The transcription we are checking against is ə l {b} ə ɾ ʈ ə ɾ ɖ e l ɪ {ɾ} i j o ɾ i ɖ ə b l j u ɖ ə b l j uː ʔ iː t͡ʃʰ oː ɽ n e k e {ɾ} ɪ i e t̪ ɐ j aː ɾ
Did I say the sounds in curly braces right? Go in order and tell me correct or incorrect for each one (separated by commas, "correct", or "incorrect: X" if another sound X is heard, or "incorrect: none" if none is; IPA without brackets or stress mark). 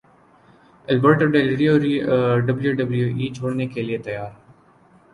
correct, correct, incorrect: l